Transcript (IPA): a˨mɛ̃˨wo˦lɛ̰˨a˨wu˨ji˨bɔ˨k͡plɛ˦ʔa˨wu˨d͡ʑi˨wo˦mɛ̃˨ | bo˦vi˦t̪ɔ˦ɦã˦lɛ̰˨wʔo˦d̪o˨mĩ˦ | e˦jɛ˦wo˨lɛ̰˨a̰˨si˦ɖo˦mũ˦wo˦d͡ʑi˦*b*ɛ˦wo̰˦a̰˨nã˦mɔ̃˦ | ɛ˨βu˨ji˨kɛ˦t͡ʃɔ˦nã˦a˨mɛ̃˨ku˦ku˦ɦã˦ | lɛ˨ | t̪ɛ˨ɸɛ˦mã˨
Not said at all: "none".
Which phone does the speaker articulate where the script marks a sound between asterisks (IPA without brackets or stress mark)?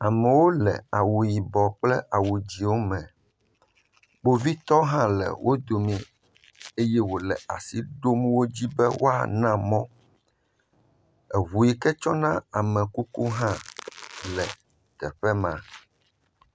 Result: b